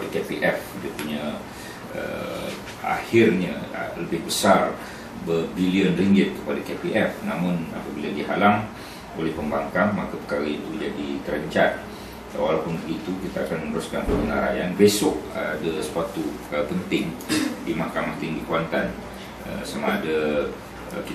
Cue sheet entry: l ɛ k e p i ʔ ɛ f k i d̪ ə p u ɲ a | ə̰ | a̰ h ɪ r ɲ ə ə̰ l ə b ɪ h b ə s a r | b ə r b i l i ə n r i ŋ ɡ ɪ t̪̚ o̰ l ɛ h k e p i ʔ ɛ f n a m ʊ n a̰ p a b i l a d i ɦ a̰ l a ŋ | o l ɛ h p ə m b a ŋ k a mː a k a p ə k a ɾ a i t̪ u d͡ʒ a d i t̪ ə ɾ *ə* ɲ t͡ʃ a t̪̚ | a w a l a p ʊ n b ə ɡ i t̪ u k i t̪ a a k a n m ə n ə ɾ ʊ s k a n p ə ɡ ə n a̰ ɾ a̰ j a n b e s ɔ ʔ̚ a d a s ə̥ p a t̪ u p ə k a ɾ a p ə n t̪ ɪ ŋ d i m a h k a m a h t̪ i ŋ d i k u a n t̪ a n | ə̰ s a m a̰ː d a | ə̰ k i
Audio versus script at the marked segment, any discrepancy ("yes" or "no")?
no